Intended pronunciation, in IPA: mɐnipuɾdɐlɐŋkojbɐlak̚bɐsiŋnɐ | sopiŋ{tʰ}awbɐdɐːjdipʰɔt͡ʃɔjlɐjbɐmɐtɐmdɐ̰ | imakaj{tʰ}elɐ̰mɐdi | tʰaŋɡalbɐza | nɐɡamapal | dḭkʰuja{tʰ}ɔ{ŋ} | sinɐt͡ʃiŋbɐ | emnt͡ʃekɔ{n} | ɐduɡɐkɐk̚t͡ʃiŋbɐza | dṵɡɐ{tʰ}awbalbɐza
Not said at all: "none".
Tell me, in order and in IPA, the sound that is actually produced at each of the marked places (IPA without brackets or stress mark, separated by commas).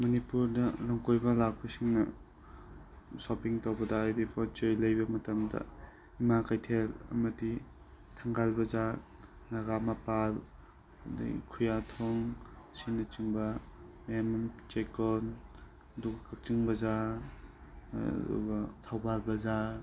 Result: t, tʰ, tʰ, ŋ, n, tʰ